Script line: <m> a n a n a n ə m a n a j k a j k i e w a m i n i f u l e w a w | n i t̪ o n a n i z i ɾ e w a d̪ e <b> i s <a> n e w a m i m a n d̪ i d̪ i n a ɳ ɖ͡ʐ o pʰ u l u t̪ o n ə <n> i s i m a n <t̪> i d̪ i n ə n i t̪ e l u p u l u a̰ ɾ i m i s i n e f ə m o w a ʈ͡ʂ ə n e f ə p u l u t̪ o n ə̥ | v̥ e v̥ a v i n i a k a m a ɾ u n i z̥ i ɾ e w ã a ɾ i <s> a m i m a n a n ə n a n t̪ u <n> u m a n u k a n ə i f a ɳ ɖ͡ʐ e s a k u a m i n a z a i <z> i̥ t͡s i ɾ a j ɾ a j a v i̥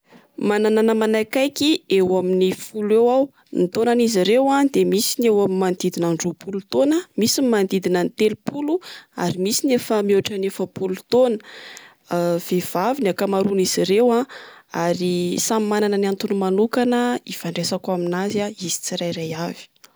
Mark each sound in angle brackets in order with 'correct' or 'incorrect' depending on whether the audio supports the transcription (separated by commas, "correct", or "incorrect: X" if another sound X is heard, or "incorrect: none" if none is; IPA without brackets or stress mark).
correct, incorrect: m, incorrect: i, incorrect: m, incorrect: d̪, correct, correct, correct